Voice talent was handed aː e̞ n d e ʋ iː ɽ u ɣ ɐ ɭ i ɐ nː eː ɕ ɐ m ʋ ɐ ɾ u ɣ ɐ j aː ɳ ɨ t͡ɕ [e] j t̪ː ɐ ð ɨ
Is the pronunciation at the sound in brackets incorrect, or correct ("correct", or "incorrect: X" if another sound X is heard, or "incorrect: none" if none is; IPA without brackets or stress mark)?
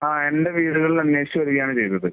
correct